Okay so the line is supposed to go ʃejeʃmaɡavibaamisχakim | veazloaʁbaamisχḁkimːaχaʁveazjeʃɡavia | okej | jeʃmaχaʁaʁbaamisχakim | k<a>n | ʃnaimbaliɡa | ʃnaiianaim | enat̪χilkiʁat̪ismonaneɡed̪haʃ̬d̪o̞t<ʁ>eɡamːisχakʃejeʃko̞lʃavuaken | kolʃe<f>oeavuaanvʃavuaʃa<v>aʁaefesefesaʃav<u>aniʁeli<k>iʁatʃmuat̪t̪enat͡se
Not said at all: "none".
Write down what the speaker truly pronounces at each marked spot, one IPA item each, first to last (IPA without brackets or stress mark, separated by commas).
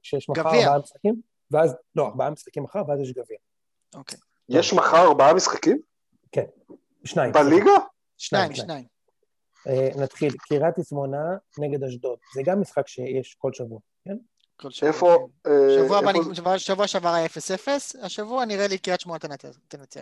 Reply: e, z, f, v, u, k